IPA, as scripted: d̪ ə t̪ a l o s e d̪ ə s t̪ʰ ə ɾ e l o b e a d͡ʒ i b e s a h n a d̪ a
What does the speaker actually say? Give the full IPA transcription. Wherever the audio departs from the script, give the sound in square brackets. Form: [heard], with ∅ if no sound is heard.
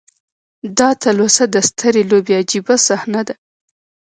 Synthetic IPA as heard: d̪ [ɑ] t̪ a l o s [a] d̪ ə s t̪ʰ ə ɾ e l o b e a d͡ʒ i b [a] s a h n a d̪ a